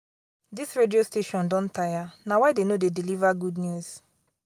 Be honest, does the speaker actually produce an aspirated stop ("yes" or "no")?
no